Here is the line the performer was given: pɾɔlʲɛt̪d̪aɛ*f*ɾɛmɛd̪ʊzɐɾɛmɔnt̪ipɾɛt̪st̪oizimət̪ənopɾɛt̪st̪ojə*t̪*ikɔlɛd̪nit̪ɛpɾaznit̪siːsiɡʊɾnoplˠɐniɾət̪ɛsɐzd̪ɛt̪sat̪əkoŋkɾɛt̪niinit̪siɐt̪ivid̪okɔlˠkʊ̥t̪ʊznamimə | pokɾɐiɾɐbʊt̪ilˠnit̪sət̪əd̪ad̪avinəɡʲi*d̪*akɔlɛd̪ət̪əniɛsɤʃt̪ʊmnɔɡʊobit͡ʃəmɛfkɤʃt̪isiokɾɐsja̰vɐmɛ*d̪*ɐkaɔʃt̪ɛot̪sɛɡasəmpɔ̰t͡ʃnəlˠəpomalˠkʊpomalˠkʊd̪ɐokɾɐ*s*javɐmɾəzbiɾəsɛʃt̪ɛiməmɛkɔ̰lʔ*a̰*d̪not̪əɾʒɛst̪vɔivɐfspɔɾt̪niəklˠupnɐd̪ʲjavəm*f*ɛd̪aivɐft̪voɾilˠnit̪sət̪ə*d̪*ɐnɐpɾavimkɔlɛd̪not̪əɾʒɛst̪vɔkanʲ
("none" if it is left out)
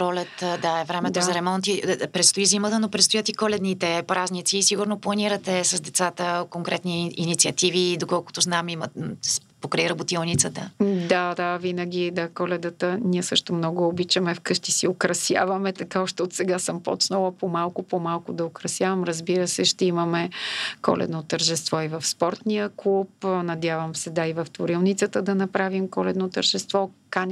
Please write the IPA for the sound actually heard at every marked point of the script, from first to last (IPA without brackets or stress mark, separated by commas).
v, t̪, d̪, t̪, s, ɛ̰, s, d̪